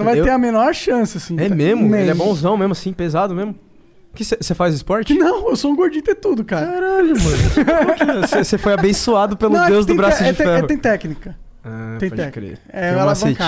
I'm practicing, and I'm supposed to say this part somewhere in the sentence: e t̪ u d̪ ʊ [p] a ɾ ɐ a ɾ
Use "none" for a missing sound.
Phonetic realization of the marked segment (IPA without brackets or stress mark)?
k